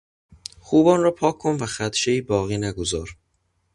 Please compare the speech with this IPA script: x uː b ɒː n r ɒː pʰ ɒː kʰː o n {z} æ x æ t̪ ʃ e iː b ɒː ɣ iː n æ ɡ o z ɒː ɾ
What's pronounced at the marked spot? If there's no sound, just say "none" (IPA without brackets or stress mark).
v